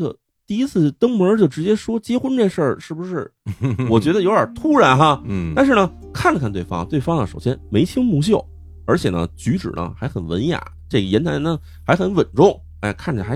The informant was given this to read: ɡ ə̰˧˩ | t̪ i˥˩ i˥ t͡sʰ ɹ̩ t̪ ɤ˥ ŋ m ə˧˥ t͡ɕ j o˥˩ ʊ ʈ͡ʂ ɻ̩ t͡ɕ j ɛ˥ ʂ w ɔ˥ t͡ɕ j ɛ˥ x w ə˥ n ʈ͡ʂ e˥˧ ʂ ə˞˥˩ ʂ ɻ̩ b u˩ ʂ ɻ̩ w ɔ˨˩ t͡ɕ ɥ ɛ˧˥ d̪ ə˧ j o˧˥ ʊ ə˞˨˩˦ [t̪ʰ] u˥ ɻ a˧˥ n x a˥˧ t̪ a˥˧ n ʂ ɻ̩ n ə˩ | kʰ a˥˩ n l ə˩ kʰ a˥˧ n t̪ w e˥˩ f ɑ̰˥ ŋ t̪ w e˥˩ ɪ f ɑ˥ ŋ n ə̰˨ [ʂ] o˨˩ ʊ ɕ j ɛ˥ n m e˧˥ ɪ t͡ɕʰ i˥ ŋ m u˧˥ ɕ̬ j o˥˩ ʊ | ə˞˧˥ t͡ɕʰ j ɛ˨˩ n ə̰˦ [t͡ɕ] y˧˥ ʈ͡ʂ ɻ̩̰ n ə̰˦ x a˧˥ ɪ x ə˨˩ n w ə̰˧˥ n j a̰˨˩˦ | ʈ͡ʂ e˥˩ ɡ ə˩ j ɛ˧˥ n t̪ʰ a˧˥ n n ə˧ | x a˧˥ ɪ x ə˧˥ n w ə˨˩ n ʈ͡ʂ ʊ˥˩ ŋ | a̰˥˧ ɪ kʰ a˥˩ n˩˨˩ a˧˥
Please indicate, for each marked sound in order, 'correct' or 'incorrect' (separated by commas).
correct, correct, correct